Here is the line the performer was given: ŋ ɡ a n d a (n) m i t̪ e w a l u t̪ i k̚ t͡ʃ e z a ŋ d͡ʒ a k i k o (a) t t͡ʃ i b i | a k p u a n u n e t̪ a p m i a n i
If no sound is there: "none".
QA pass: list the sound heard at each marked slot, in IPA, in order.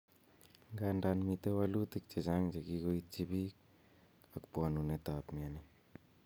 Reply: n, i

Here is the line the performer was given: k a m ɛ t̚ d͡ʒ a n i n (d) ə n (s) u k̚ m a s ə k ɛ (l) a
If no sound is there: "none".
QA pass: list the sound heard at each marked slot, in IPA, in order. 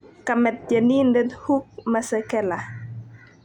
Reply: d, h, l

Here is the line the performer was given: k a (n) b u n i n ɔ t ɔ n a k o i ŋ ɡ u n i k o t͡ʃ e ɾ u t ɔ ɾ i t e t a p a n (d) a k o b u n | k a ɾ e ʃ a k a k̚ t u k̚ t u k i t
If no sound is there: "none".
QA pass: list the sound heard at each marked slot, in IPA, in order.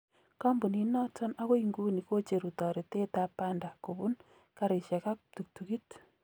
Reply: m, d

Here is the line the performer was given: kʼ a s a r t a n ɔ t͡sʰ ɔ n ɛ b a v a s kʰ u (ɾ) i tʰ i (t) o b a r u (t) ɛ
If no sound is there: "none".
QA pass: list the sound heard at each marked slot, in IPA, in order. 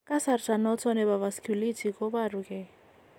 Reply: l, k, k

